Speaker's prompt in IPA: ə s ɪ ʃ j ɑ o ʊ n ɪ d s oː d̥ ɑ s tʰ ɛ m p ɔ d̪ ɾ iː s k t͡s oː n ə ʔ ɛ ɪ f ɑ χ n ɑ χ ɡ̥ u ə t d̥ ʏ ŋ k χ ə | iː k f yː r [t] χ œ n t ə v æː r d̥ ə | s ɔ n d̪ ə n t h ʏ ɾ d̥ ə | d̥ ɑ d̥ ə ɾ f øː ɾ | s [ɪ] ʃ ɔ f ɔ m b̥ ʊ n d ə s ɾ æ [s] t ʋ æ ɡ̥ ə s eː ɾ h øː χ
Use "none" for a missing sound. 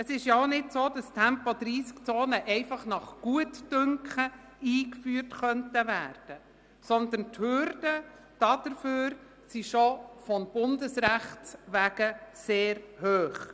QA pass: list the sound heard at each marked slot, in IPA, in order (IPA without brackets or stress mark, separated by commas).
t, i, χ